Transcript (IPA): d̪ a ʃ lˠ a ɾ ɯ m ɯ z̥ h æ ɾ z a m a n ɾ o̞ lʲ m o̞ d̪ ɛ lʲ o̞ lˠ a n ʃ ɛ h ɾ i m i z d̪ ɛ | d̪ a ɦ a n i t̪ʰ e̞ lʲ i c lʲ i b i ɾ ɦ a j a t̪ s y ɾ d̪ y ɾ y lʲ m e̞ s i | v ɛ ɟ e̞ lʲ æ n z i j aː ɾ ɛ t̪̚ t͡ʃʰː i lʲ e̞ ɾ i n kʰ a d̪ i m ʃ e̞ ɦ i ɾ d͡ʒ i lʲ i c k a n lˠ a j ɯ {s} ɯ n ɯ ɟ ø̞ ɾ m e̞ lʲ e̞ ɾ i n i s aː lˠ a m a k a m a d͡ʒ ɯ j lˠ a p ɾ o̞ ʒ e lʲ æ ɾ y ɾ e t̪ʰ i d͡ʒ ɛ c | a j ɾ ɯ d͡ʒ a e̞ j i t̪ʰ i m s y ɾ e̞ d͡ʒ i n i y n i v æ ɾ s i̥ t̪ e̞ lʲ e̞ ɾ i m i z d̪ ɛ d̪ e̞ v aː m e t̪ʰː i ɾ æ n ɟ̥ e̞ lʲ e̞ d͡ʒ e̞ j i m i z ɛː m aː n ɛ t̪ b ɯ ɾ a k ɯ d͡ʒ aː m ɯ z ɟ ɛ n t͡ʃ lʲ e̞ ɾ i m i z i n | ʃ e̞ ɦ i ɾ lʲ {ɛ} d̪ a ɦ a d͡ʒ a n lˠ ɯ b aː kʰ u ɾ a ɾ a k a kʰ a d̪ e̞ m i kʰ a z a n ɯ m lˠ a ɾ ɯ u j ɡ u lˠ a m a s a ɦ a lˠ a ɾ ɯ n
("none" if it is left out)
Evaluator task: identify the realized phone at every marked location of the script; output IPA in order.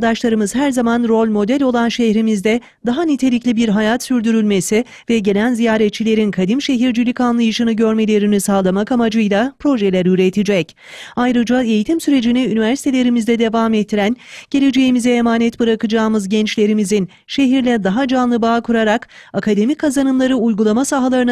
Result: ʃ, ɛ

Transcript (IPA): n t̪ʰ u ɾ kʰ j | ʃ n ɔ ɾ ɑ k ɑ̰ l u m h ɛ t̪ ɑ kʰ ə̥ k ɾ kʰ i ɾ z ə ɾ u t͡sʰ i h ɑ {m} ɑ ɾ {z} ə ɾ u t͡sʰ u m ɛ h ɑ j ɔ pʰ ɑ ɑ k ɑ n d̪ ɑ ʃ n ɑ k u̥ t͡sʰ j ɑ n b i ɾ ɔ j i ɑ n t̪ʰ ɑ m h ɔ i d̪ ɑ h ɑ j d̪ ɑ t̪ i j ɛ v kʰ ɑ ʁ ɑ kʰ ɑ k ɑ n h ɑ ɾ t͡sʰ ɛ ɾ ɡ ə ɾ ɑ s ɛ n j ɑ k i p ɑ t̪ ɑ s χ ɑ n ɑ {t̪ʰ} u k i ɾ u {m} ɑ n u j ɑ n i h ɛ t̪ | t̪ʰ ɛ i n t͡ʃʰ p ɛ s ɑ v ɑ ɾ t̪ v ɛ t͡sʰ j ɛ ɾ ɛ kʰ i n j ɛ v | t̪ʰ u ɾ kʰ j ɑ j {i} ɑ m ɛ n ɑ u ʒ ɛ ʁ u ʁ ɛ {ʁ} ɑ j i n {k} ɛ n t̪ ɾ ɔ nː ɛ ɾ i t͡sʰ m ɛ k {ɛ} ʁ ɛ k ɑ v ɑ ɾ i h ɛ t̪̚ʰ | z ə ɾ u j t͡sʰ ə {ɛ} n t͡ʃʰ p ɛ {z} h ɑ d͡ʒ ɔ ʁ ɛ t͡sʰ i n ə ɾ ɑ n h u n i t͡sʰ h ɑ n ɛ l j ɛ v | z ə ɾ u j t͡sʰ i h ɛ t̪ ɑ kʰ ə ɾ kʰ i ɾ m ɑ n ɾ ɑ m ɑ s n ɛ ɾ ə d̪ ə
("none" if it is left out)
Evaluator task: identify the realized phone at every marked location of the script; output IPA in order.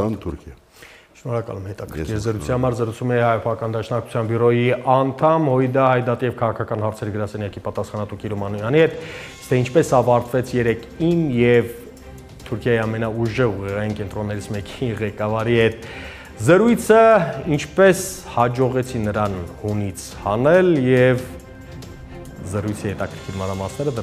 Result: m, z, t̪, m, i, ʁ, k, i, i, s

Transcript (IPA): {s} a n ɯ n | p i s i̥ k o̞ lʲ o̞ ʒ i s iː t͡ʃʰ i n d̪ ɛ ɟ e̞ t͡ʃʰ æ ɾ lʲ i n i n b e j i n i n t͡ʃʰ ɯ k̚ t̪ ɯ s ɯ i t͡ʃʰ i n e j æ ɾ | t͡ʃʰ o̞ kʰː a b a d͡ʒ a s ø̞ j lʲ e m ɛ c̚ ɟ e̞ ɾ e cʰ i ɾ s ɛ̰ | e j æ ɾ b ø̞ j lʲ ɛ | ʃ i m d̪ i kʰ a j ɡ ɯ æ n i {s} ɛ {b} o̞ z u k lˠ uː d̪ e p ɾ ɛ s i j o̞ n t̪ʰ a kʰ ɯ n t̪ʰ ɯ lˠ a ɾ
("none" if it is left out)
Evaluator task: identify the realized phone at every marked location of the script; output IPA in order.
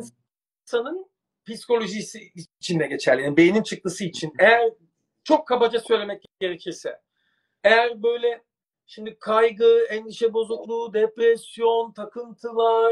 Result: s, ʃ, b

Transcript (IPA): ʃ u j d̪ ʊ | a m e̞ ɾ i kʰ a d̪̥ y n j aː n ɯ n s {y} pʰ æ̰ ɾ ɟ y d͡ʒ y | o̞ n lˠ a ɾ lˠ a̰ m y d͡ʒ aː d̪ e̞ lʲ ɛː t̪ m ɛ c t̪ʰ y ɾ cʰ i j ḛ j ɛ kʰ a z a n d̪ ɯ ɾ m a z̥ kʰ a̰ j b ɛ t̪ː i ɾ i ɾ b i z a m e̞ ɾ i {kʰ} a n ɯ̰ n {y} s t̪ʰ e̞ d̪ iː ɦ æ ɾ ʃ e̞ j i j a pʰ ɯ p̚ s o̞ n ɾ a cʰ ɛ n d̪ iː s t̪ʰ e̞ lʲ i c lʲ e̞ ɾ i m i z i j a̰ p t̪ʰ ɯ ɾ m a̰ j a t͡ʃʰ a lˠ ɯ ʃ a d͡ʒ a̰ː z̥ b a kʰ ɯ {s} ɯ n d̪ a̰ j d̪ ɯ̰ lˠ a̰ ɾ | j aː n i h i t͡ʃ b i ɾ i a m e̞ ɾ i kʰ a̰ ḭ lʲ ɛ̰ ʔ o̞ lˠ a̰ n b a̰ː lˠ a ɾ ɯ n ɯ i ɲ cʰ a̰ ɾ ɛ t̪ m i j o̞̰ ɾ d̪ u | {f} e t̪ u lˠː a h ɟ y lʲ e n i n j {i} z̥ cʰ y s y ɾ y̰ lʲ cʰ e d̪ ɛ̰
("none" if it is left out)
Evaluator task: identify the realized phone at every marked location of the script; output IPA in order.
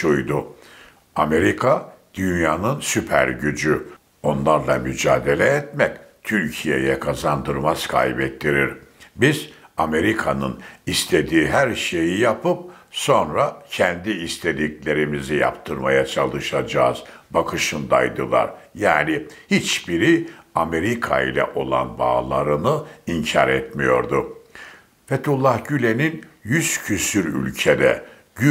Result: y, kʰ, i, ʃ, f, y

